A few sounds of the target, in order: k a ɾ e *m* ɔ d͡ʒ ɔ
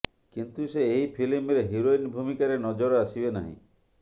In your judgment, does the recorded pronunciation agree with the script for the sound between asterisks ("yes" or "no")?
no